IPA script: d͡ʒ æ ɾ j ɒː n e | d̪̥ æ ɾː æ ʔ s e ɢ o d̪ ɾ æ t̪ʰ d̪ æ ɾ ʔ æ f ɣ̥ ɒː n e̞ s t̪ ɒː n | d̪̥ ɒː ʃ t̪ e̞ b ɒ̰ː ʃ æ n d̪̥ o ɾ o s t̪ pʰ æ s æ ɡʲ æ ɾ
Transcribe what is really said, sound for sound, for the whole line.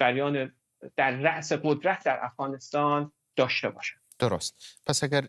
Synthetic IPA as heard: d͡ʒ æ ɾ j ɒː n e | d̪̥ æ ɾː æ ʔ s e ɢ o d̪ ɾ æ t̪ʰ d̪ æ ɾ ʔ æ f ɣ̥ ɒː n e̞ s t̪ ɒː n | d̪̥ ɒː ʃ t̪ e̞ b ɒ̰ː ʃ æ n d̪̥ o ɾ o s t̪ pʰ æ s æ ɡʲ æ ɾ